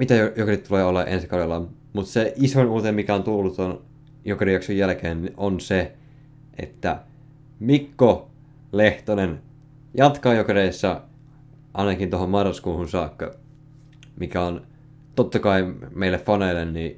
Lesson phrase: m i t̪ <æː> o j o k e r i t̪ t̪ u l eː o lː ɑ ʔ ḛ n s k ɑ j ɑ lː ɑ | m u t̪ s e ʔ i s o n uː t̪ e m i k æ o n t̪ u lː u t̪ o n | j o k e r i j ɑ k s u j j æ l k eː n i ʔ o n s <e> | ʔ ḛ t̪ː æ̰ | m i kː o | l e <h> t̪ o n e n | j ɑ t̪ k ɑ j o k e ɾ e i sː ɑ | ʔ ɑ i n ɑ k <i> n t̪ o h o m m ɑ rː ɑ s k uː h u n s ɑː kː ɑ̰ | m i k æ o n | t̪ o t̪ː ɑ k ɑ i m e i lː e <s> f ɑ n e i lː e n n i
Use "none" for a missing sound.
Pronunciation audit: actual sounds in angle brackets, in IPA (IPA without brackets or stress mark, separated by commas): æ, e, h, i, f